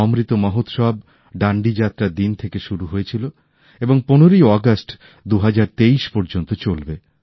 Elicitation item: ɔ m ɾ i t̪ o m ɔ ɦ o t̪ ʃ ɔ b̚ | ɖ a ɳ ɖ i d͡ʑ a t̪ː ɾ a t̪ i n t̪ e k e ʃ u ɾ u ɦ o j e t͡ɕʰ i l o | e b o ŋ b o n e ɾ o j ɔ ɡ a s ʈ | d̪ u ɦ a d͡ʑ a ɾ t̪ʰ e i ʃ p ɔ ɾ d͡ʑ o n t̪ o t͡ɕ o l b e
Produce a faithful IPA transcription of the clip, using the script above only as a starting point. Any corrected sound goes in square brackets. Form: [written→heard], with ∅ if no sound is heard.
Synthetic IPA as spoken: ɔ m ɾ i t̪ o m ɔ ɦ o t̪ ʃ ɔ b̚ | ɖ a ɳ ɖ i d͡ʑ a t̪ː ɾ a [t̪→d̪] i n [t̪→t̪ʰ] e k e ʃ u ɾ u ɦ o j e t͡ɕʰ i l o | e b o ŋ [b→p] o n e ɾ o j ɔ ɡ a s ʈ | d̪ u ɦ a d͡ʑ a ɾ [t̪ʰ→t̪] e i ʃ p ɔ ɾ d͡ʑ o n t̪ o t͡ɕ o l b e